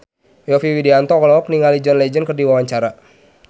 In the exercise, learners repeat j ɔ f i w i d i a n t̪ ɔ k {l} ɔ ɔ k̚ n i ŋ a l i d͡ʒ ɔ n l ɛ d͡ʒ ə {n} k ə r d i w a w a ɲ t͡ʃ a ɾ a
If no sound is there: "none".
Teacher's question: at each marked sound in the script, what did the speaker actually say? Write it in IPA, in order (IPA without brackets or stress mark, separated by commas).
l, n